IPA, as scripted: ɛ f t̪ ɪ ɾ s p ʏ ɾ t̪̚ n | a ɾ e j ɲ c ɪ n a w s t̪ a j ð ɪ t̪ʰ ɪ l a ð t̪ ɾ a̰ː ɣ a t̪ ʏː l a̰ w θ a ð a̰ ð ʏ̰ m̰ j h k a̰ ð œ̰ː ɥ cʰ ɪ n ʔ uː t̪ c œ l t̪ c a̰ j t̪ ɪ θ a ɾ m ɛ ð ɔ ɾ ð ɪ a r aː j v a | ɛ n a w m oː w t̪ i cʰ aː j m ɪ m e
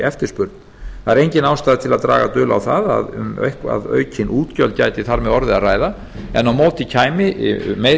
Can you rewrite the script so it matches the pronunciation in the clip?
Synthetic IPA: ɛ f t̪ ɪ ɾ s p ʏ ɾ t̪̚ n | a ɾ e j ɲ c ɪ n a w s t̪ a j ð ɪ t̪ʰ ɪ l a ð t̪ ɾ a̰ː ɣ a t̪ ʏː l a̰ w θ a ð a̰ ð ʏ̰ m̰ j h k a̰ ð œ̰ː ɥ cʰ ɪ n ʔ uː t̪ c œ l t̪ c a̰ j t̪ ɪ θ a ɾ m ɛ ð ɔ ɾ ð ɪ a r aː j ð a | ɛ n a w m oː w t̪ i cʰ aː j m ɪ m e